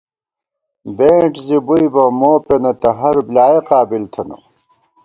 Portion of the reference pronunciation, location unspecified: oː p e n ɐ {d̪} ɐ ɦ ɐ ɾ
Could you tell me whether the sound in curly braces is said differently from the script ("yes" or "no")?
yes